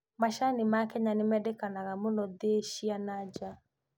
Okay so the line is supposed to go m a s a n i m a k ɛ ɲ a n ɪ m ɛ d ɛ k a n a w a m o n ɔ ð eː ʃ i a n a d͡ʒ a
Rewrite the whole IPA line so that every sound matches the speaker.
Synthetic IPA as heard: m a ʃ a n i m a k ɛ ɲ a n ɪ m ɛ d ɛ k a n a ɣ a m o n ɔ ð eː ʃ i a n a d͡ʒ a

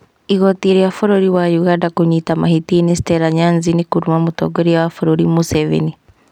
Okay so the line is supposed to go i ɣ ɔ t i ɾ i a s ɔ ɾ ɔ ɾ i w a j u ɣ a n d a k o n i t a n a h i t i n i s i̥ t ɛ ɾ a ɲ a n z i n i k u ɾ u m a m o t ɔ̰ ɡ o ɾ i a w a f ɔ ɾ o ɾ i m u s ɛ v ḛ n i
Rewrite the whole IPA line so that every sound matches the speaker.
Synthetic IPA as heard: i ɣ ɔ t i ɾ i a f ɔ ɾ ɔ ɾ i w a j u ɣ a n d a k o ɲ i t a m a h i t i n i s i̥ t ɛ ɾ a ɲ a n z i n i k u ɾ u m a m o t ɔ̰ ɡ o ɾ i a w a f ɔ ɾ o ɾ i m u s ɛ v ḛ n i

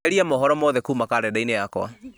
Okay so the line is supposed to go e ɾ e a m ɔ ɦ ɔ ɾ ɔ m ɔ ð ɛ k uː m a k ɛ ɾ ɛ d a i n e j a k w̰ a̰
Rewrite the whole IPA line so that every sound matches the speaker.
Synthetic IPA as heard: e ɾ i a m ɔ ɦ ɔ ɾ ɔ m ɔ ð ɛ k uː m a k a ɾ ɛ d a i n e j a k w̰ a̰

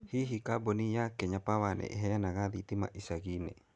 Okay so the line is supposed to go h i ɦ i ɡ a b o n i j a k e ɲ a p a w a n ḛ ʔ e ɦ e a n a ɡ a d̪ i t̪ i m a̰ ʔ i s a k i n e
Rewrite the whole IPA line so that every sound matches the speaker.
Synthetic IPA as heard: h i ɦ i k a b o n i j a k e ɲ a p a w a n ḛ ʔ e ɦ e a n a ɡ a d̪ i t̪ i m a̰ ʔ i s a ɡ i n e

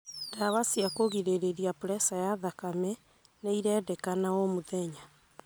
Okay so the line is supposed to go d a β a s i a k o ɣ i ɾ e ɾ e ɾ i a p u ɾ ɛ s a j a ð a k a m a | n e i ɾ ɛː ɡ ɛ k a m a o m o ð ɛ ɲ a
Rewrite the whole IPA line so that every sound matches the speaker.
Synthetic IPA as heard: d a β a s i a k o ɣ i ɾ e ɾ e ɾ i a p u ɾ ɛ s a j a ð a k a m ɛ | n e i ɾ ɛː d ɛ k a n a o m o ð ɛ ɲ a

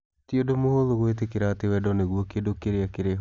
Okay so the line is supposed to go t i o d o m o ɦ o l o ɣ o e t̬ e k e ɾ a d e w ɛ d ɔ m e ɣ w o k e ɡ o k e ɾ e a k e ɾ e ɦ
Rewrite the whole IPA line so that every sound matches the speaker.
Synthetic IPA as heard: t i o d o m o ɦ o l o ɣ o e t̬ e k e ɾ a t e w ɛ d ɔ n e ɣ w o k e d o k e ɾ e a k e ɾ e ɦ

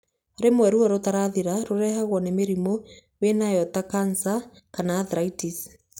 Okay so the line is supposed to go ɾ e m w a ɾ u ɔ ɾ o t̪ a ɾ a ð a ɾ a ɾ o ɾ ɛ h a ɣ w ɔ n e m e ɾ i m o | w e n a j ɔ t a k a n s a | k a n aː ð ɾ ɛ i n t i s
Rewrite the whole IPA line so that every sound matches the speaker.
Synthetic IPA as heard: ɾ e m w ɛ ɾ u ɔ ɾ o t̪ a ɾ a ð i ɾ a ɾ o ɾ ɛ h a ɣ w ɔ n e m e ɾ i m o | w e n a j ɔ t a k a n s a | k a n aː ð ɾ a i t i s

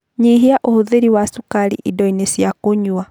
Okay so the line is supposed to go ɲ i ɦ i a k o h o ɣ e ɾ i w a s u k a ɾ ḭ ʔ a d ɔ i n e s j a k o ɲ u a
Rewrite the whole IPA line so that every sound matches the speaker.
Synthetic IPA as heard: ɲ i ɦ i a ʔ o h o ð e ɾ i w a s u k a ɾ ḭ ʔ i d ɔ i n e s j a k o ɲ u a

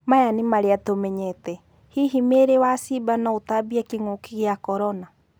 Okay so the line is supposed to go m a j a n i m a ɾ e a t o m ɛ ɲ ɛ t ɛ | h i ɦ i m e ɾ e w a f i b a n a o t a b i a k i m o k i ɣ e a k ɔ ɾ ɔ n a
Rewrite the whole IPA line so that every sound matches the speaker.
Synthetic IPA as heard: m a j a n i m a ɾ e a t o m ɛ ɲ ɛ t ɛ | h i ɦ i m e ɾ e w a s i b a n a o t a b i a k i ŋ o k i ɣ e a k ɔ ɾ ɔ n a

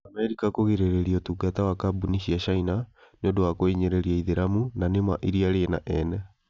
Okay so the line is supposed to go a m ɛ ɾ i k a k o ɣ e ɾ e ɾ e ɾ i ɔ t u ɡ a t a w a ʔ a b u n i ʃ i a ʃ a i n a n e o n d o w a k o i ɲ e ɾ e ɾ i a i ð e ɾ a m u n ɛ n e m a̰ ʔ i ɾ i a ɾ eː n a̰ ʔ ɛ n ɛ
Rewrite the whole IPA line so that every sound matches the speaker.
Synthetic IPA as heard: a m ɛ ɾ i k a k o ɣ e ɾ e ɾ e ɾ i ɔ t u ɡ a t a w a k a b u n i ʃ i a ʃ a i n a n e o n d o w a k o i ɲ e ɾ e ɾ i a i ð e ɾ a m u n a n e m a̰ ʔ i ɾ i a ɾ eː n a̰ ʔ ɛ n ɛ

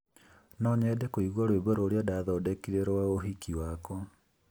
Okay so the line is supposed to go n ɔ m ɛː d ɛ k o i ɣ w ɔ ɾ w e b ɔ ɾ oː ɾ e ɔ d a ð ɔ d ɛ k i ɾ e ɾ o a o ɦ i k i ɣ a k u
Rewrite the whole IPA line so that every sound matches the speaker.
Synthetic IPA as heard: n ɔ ɲ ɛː d ɛ k o i ɣ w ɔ ɾ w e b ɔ ɾ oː ɾ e ɔ d a ð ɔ d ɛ k i ɾ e ɾ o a o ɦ i k i w a k ɔ

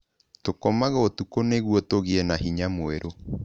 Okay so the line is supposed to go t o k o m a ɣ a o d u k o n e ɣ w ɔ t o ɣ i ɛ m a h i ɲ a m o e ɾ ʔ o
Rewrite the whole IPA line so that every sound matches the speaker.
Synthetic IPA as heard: t o k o m a ɣ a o t u k o n e ɣ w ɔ t o ɣ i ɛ n a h i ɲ a m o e ɾ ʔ o

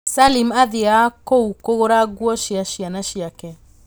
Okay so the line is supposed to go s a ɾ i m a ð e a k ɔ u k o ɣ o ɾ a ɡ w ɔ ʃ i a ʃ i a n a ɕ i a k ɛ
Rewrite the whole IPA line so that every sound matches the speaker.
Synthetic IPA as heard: s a l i m a ð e a k o u k o ɣ o ɾ a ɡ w ɔ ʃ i a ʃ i a n a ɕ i a k ɛ

